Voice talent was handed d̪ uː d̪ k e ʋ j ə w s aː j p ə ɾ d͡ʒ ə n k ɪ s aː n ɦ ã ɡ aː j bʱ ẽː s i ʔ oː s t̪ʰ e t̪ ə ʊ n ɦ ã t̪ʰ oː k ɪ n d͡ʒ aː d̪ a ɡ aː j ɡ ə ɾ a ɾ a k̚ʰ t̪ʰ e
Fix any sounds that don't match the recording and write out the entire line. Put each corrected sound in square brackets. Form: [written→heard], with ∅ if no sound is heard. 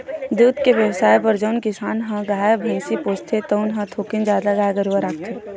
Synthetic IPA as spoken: d̪ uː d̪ k e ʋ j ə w s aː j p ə ɾ d͡ʒ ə n k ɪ s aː n ɦ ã ɡ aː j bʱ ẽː s i [ʔ→p] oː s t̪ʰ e t̪ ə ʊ n ɦ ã t̪ʰ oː k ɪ n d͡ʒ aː d̪ a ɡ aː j ɡ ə ɾ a ɾ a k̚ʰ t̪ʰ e